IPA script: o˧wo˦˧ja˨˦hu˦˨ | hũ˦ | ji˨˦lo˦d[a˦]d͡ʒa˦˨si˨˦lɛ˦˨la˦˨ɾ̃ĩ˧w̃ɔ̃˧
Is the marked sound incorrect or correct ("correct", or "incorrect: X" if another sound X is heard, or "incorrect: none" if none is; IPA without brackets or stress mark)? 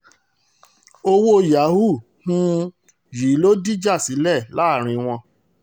incorrect: i˦